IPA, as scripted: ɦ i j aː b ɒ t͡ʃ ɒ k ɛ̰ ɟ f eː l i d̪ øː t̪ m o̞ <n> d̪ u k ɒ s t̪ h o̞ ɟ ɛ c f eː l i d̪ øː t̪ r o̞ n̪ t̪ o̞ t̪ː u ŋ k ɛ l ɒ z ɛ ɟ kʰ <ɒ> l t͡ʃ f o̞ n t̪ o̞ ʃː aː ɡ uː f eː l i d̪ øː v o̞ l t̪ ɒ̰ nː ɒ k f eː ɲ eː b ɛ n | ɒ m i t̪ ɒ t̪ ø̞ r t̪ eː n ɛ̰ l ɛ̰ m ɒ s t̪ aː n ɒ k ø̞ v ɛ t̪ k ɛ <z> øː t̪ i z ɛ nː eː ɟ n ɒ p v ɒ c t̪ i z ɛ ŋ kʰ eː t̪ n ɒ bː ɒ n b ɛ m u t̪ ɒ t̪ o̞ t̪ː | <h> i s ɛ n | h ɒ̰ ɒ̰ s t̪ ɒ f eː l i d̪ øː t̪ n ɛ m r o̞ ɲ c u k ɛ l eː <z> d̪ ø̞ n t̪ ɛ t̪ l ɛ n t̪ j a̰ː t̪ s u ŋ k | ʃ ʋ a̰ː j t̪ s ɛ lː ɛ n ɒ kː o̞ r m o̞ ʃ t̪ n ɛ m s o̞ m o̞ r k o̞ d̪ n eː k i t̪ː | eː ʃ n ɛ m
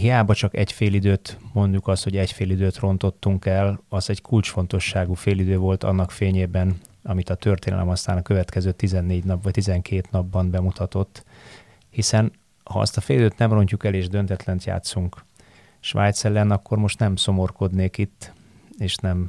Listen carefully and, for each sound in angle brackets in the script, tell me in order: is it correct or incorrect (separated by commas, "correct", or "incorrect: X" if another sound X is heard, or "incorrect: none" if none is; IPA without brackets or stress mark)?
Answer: correct, incorrect: u, correct, correct, incorrect: ʒ